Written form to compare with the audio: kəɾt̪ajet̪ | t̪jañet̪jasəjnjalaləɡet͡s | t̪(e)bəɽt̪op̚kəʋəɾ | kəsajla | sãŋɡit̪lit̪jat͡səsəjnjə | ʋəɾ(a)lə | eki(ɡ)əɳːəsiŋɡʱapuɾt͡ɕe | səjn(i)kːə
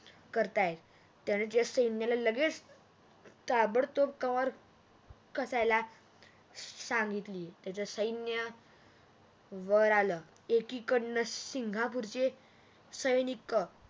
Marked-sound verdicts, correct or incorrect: incorrect, correct, incorrect, correct

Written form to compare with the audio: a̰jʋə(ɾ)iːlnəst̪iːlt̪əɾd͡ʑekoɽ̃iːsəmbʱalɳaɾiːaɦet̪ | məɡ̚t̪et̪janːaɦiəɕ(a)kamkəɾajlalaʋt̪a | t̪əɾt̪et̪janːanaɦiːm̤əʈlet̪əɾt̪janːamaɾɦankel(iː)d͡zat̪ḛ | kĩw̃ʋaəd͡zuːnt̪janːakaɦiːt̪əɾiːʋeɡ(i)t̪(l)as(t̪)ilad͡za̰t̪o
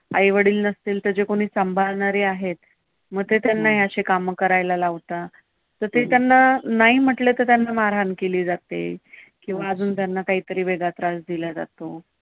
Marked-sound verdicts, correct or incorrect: incorrect, incorrect, correct, incorrect, incorrect, incorrect

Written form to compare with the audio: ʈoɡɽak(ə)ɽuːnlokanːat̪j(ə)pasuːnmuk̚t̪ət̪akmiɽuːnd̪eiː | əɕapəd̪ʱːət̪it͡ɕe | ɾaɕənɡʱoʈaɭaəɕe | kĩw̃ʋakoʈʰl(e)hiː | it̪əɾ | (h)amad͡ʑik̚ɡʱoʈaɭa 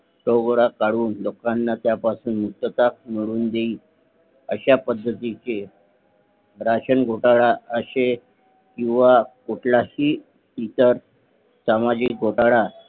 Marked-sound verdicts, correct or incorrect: incorrect, incorrect, incorrect, incorrect

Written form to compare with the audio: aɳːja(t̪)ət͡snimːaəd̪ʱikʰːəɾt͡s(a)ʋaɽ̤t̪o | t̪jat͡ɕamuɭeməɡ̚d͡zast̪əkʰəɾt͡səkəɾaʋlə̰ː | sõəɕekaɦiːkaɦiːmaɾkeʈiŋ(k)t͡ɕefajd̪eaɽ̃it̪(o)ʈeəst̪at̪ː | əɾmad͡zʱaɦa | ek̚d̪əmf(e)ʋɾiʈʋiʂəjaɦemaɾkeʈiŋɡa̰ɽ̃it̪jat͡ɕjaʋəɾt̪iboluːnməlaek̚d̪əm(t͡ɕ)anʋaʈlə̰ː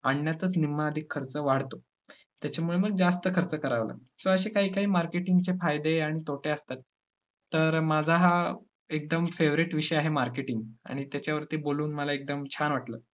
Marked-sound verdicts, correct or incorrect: correct, incorrect, incorrect, correct, correct, incorrect

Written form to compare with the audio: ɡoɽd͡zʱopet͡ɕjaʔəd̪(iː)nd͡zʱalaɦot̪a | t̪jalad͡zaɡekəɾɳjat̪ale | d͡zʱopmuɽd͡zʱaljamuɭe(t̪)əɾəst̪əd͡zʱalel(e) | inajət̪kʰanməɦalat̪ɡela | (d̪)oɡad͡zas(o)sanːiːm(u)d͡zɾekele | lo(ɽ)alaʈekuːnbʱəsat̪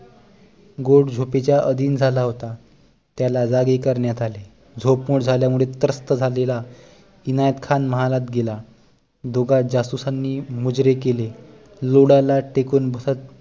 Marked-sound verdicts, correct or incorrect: correct, correct, incorrect, correct, incorrect, correct, correct

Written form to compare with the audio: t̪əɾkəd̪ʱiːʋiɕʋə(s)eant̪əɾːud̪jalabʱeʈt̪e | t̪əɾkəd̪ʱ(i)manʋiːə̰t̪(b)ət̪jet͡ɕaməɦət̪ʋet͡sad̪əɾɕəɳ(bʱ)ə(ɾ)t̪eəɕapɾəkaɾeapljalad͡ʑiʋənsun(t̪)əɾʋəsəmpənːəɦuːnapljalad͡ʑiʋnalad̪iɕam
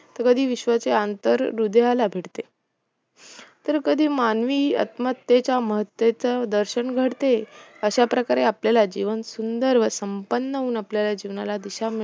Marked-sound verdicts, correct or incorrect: incorrect, incorrect, incorrect, incorrect, incorrect, incorrect

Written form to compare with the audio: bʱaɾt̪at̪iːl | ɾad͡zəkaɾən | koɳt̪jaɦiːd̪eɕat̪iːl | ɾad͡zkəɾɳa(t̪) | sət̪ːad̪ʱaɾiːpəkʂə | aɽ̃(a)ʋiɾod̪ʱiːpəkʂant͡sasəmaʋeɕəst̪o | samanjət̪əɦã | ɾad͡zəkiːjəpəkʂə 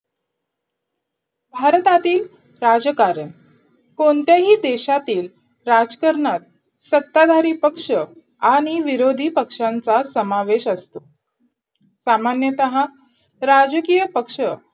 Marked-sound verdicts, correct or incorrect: correct, incorrect

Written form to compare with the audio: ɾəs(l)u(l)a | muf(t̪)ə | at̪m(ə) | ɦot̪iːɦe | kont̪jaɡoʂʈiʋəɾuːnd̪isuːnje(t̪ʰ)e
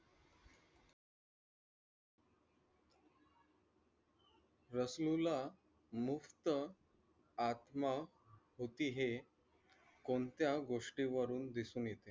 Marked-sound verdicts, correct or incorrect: correct, correct, correct, incorrect, incorrect

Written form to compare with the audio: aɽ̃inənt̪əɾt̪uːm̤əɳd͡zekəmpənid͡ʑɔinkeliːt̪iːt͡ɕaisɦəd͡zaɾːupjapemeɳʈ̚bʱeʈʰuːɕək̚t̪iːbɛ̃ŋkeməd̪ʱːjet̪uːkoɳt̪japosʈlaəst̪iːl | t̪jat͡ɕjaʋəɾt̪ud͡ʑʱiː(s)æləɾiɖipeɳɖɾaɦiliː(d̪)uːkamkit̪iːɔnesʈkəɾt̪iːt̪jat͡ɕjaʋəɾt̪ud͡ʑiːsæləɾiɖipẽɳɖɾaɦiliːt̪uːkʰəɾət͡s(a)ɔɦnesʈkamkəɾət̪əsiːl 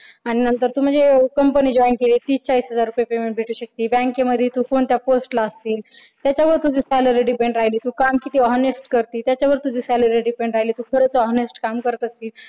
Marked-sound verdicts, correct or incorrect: correct, incorrect, incorrect

